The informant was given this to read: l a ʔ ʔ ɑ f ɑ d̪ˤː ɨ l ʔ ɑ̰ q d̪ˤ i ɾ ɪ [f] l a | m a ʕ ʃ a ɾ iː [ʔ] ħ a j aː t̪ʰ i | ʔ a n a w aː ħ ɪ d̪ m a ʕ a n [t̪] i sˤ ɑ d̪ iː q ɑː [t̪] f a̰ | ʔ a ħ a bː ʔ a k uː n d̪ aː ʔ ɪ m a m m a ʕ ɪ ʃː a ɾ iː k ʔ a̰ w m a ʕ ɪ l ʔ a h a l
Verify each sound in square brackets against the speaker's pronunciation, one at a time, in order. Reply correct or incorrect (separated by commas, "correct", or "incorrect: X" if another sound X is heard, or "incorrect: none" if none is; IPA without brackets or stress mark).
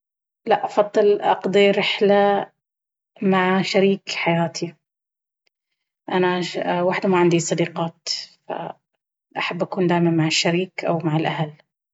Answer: incorrect: ħ, incorrect: k, incorrect: d̪, correct